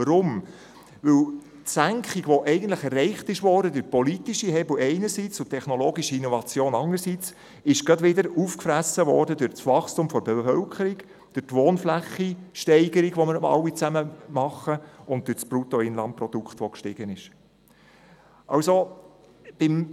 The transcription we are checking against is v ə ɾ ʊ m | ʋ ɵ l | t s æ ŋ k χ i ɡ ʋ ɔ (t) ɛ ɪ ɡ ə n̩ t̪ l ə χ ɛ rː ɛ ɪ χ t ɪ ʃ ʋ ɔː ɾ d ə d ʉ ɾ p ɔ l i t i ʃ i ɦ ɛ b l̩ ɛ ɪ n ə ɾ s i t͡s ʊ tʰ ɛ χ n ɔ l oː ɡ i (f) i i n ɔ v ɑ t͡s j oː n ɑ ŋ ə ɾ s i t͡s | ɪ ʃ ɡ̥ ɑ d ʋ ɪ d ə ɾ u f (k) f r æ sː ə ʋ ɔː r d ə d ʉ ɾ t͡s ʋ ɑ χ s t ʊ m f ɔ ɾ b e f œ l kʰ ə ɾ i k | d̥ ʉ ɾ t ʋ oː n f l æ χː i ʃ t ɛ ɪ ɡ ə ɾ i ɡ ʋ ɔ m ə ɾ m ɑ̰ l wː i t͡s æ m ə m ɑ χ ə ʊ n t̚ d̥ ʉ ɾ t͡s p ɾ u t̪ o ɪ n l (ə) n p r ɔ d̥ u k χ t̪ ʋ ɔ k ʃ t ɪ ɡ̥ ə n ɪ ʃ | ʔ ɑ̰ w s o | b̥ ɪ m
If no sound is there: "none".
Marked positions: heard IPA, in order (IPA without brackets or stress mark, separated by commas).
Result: ʔ, ʃ, k, ɑ